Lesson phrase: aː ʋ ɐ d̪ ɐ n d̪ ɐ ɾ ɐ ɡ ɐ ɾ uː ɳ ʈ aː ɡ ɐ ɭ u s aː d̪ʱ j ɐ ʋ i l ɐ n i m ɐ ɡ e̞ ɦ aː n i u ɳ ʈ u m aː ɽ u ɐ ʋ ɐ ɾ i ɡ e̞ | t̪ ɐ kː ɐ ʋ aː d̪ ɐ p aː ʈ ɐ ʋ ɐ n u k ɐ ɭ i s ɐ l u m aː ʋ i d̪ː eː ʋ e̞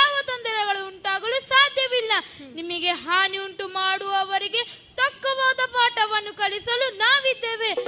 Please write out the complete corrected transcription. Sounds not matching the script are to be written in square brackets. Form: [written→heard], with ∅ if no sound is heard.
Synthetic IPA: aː ʋ ɐ [d̪→t̪] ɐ n d̪ ɐ ɾ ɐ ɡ ɐ [ɾ→ɭ] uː ɳ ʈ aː ɡ ɐ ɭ u s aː d̪ʱ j ɐ ʋ i [l→lː] ɐ n i m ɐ ɡ e̞ ɦ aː n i u ɳ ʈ u m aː ɽ u ɐ ʋ ɐ ɾ i ɡ e̞ | t̪ ɐ kː ɐ ʋ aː d̪ ɐ p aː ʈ ɐ ʋ ɐ [n→nː] u k ɐ ɭ i s ɐ l u [m→n] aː ʋ i d̪ː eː ʋ e̞